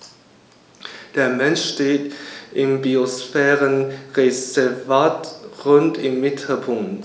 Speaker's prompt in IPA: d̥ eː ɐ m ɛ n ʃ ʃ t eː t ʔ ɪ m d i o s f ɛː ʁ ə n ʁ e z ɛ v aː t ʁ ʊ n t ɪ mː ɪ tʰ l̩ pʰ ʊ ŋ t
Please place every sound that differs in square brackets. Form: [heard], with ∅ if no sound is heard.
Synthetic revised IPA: d̥ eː ɐ m ɛ n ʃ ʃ t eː t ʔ ɪ m [b] i o s f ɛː ʁ ə n ʁ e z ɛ v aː t ʁ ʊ n t ɪ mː ɪ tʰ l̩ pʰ ʊ ŋ t